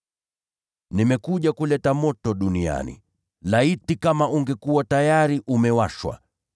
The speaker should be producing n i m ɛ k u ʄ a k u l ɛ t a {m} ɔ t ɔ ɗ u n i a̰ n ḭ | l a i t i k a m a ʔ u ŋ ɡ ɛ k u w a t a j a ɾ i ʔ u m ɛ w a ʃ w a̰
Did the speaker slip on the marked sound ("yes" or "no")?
no